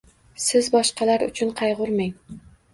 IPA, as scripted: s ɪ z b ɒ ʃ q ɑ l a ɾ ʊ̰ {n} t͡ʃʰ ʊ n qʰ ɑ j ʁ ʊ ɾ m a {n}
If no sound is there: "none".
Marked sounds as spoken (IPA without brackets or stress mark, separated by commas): none, ŋ